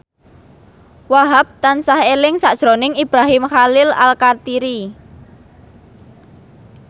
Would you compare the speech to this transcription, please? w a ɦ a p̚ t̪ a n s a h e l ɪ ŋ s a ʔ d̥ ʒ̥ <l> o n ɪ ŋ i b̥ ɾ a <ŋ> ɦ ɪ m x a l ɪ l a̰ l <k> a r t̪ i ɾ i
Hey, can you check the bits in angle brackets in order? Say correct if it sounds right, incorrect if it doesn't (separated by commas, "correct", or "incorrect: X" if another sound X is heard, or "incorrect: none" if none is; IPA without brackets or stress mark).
incorrect: ɾ, incorrect: none, correct